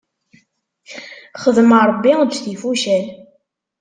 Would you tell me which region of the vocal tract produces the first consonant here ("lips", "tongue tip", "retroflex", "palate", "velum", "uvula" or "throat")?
uvula